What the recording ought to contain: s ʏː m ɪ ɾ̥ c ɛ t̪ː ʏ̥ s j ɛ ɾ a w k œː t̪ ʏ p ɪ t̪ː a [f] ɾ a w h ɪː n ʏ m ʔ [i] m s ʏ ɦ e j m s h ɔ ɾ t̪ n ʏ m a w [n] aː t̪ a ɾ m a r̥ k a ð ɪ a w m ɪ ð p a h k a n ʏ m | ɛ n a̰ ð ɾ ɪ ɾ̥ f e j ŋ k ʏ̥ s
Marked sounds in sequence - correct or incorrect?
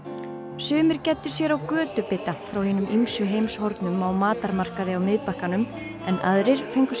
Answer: correct, correct, incorrect: m

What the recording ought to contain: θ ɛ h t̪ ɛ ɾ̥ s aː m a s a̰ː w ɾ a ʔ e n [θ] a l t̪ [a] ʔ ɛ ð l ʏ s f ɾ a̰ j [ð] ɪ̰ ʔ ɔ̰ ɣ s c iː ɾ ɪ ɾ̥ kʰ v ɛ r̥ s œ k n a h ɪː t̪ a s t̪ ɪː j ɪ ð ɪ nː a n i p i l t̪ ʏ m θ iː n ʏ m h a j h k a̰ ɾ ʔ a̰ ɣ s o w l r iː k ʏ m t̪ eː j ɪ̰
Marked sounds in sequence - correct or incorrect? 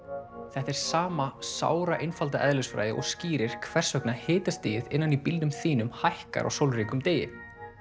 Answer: incorrect: f, correct, correct

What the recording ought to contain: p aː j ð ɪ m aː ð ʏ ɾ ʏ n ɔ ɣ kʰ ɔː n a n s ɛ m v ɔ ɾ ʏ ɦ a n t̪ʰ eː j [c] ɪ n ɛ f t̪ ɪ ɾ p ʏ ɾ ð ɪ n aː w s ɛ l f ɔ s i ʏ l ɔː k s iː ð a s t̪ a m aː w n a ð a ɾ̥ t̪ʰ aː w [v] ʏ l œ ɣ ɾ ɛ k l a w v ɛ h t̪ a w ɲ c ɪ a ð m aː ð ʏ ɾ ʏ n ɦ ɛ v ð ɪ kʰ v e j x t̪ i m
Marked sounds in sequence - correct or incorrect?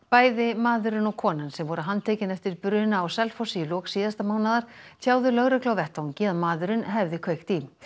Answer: correct, incorrect: ð

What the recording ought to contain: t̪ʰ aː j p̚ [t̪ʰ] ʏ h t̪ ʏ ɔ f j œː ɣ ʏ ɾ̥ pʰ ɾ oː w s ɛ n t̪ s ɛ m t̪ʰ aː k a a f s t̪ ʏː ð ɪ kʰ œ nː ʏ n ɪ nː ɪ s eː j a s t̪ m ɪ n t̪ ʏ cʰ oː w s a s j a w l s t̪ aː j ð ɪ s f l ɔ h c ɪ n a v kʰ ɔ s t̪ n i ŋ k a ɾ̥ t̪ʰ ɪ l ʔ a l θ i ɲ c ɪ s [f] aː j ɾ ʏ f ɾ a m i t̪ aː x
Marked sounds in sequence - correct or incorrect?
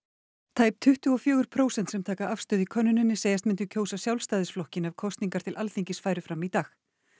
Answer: correct, correct

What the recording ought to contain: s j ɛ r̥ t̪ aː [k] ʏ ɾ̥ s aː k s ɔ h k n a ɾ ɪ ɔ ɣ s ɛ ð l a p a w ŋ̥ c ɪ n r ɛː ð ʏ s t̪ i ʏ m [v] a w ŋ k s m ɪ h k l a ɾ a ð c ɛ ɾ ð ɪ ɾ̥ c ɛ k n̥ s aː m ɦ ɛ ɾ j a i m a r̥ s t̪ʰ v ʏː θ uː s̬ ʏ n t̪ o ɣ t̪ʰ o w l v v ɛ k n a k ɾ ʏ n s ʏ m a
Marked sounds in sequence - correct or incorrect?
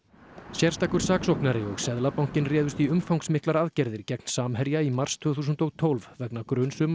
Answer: correct, incorrect: f

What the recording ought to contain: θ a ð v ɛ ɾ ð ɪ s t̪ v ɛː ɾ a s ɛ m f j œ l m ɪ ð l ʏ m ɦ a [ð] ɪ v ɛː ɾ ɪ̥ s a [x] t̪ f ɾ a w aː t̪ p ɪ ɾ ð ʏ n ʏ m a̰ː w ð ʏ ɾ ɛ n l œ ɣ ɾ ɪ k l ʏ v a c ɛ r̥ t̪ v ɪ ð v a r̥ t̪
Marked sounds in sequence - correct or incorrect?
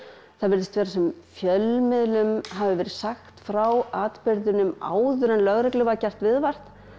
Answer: incorrect: v, correct

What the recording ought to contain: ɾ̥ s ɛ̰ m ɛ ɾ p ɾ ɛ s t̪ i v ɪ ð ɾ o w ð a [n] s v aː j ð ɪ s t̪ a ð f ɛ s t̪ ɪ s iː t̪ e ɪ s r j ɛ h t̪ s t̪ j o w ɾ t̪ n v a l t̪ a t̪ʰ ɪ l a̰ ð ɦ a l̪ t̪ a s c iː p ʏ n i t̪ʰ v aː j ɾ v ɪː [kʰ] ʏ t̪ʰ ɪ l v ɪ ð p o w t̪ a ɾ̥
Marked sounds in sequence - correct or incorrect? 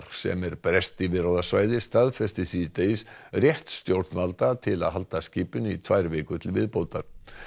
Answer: incorrect: none, incorrect: k

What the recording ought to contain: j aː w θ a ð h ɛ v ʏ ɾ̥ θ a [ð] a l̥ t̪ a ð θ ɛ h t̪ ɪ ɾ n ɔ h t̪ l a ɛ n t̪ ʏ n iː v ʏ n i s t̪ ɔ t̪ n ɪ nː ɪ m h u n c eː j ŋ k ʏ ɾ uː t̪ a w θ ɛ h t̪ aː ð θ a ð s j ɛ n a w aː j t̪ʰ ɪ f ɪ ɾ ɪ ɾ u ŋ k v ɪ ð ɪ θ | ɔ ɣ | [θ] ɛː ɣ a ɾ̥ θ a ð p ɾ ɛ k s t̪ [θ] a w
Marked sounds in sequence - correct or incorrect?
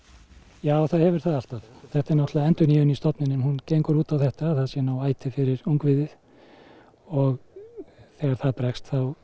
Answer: correct, correct, correct

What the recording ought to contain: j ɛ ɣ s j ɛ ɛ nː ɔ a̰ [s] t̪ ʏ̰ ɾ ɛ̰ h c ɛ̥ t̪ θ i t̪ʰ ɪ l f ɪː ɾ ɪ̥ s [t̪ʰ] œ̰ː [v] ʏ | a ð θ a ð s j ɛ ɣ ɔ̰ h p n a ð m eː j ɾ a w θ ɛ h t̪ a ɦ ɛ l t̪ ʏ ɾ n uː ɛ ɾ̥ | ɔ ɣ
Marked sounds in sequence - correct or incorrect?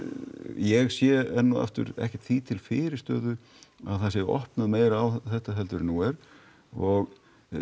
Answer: incorrect: f, incorrect: t̪, incorrect: ð

